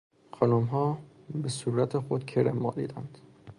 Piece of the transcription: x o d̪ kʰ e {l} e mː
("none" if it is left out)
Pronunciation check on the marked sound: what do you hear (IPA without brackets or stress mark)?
ɾ